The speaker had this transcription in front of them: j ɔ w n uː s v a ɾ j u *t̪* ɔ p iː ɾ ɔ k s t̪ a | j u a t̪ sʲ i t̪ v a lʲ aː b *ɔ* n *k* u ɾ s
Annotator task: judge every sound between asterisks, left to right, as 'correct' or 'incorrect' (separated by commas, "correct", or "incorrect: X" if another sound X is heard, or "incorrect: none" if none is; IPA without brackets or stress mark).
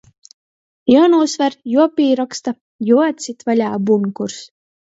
incorrect: none, incorrect: u, correct